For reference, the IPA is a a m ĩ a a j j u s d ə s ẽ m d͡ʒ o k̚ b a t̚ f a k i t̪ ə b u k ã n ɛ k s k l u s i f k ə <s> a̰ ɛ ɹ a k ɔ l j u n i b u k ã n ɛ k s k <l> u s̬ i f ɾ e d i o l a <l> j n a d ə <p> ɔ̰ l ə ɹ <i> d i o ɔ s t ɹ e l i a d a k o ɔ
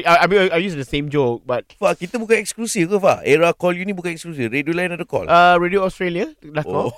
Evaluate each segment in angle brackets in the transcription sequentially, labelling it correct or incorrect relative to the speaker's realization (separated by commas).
incorrect, correct, incorrect, incorrect, incorrect